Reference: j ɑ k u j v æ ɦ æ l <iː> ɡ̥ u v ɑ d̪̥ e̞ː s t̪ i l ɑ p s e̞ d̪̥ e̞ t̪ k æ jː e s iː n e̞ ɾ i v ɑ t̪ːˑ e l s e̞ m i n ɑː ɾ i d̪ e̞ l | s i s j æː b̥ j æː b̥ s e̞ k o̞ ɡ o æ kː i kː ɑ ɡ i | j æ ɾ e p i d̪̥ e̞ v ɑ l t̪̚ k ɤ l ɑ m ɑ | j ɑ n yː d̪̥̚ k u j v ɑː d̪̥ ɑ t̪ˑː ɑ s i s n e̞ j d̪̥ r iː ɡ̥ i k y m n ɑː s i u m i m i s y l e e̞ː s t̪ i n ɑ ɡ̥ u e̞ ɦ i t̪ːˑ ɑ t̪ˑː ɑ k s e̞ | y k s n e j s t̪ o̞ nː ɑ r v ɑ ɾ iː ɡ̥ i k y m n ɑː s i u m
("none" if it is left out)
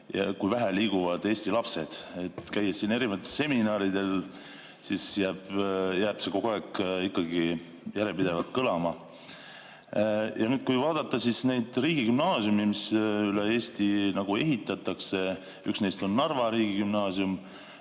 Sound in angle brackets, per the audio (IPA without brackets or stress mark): iː